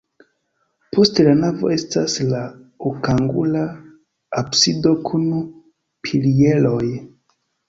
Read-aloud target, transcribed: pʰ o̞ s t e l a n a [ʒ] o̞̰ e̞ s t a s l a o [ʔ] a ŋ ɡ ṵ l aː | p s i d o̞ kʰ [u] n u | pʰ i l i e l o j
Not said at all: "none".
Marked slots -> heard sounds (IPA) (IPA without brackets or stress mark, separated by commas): v, k, u